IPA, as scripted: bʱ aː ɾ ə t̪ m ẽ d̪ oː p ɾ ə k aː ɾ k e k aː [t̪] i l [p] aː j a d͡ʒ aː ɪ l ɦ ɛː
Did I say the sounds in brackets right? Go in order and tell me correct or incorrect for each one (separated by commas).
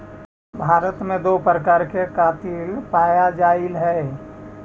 correct, correct